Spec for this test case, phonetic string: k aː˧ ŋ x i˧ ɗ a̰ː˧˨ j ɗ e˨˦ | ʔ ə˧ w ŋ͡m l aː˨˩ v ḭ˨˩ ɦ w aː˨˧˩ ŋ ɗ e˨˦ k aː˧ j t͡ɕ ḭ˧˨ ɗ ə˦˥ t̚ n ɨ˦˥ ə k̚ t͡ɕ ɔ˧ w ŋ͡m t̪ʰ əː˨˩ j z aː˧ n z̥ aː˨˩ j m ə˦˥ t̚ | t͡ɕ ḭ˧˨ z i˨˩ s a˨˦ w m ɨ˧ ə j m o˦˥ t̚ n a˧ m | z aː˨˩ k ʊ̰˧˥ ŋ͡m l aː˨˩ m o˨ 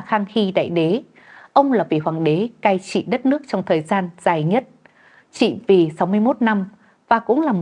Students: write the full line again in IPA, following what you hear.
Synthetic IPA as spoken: x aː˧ ŋ x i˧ ɗ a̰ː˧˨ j ɗ e˨˦ | ʔ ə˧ w ŋ͡m l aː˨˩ v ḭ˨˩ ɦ w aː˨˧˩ ŋ ɗ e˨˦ k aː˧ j t͡ɕ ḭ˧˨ ɗ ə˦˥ t̚ n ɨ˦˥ ə k̚ t͡ɕ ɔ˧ w ŋ͡m t̪ʰ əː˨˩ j z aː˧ n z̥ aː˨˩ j ɲ ə˦˥ t̚ | t͡ɕ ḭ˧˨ v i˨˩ s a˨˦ w m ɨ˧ ə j m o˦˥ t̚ n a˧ m | v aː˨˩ k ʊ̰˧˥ ŋ͡m l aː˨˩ m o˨